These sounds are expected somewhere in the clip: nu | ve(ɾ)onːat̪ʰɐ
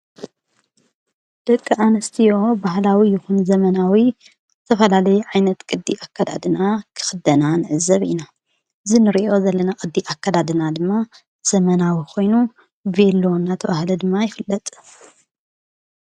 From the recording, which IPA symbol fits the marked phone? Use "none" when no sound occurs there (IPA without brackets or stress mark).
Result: l